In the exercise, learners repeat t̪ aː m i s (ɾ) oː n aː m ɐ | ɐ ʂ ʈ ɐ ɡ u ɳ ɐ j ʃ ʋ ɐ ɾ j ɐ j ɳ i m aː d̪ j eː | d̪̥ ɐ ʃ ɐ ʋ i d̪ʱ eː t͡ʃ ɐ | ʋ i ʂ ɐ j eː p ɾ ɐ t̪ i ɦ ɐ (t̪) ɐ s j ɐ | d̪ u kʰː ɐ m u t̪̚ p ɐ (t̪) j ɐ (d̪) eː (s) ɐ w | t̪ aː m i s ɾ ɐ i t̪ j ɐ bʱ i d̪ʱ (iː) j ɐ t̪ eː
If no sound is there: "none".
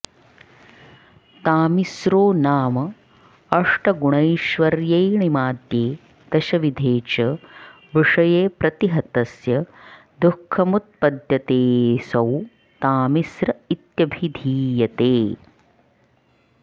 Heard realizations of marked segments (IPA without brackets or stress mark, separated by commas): ɾ, t̪, d̪, t̪, s, iː